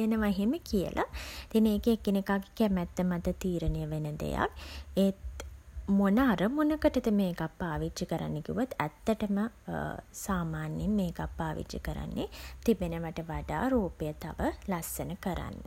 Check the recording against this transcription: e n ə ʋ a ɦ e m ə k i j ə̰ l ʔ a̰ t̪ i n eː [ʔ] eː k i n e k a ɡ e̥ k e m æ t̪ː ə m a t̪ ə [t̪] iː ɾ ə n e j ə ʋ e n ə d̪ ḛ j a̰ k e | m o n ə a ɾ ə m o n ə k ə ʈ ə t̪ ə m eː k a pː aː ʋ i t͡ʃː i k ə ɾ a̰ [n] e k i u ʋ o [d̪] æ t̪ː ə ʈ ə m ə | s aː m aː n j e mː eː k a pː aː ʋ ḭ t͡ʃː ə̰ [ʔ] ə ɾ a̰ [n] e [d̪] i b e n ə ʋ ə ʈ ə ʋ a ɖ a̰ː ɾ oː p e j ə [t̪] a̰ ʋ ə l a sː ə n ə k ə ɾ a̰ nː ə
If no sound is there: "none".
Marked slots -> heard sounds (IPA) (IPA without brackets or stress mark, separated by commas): k, t̪, nː, t̪, k, nː, t̪, t̪